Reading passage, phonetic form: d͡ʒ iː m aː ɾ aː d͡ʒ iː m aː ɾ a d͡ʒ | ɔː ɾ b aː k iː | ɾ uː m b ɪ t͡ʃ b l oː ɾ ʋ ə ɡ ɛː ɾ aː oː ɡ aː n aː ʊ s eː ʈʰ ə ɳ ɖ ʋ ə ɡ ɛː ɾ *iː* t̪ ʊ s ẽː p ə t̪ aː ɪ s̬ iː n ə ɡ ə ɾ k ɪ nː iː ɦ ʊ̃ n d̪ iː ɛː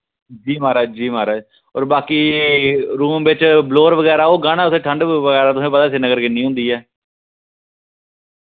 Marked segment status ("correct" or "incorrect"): incorrect